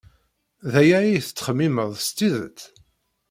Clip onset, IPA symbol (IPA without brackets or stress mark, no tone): ð